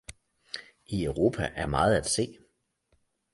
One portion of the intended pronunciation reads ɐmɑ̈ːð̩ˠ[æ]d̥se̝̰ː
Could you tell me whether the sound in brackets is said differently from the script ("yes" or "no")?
no